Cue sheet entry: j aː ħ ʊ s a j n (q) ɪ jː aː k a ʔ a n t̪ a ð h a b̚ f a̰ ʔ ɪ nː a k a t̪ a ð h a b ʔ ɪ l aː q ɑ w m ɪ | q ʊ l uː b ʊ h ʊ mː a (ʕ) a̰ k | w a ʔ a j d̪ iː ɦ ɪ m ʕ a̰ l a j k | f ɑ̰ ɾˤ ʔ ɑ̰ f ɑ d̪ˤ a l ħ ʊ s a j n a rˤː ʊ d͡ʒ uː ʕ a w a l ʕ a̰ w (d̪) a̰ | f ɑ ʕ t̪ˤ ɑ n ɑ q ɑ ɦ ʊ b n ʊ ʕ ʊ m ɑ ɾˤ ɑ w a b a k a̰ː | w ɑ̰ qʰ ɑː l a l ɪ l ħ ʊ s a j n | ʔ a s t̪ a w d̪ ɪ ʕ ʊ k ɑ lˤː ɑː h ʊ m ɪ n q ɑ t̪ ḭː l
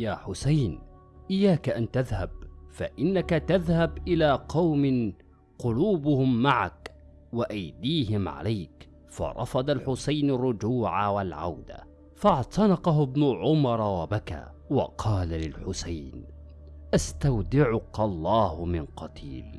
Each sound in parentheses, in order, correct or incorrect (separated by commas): incorrect, correct, correct